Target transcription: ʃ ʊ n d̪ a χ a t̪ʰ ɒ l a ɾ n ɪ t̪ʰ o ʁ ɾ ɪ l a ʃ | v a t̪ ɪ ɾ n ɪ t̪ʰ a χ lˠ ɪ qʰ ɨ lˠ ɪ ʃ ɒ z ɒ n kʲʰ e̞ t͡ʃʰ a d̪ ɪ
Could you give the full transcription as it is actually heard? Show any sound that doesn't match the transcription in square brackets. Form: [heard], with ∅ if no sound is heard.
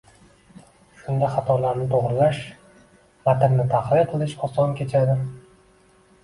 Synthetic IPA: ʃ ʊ n d̪ a χ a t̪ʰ ɒ l a ɾ n ɪ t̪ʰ o ʁ ɾ ɪ l a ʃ | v a t̪ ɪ ɾ n ɪ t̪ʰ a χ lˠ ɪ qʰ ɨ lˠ ɪ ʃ ɒ [s] ɒ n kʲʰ e̞ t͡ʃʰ a d̪ ɪ